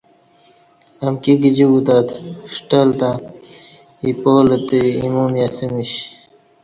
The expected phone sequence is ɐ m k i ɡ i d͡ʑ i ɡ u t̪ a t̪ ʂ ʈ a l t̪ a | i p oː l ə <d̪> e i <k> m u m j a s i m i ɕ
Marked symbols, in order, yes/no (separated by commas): no, no